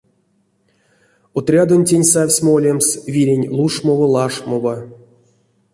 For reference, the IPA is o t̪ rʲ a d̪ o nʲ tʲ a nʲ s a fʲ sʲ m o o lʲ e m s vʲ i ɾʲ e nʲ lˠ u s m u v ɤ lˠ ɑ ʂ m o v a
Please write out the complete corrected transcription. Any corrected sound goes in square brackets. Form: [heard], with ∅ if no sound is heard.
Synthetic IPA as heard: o t̪ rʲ a d̪ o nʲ tʲ [e] nʲ s a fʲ sʲ m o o lʲ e m s vʲ i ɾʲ e nʲ lˠ u [ʂ] m [o] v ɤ lˠ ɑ ʂ m o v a